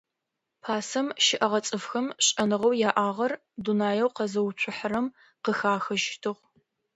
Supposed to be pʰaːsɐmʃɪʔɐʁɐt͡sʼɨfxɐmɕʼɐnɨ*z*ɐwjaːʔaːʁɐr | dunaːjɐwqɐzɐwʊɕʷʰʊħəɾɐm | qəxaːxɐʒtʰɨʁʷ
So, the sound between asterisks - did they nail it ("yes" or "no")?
no